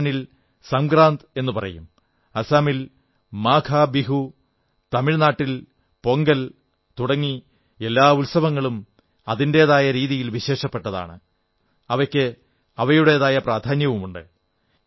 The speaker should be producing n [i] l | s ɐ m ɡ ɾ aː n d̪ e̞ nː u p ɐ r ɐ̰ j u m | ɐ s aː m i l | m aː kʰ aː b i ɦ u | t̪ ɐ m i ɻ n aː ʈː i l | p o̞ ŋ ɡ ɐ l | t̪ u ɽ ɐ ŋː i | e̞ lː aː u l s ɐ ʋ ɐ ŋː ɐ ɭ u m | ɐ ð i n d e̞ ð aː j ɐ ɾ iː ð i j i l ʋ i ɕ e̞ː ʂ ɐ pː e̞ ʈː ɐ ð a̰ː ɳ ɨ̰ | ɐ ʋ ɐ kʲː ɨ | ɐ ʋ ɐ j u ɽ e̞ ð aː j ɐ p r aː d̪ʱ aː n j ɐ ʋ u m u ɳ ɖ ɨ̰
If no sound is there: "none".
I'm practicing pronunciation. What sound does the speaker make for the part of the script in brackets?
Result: i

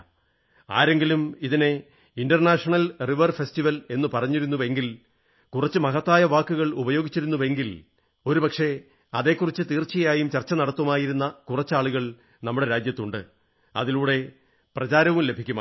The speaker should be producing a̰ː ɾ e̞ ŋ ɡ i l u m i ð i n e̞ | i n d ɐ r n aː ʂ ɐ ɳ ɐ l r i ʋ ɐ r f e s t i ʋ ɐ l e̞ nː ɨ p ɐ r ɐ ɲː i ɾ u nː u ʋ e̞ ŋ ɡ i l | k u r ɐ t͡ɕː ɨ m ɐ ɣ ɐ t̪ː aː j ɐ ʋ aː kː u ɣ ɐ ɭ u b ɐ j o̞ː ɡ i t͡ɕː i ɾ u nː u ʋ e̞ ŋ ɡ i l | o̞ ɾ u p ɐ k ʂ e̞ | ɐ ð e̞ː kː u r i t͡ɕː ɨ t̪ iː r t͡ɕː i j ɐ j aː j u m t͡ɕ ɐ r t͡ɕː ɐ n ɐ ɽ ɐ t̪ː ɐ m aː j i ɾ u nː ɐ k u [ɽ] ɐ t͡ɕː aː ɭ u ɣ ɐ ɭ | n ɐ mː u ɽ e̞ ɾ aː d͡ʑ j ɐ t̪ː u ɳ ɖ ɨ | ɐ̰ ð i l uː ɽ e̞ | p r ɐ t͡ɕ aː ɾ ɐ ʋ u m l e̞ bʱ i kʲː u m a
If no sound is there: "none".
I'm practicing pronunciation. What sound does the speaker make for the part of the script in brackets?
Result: r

